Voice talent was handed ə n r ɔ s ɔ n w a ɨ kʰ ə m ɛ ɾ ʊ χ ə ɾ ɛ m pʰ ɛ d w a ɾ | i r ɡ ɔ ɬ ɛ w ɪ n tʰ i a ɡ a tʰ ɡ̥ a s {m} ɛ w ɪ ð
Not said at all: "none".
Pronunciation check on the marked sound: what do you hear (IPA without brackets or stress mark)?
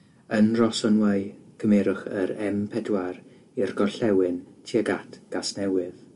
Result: n